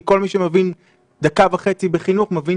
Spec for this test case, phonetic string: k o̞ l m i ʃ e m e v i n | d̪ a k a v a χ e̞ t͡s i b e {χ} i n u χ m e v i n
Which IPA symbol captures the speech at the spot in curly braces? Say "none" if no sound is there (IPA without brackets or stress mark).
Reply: χ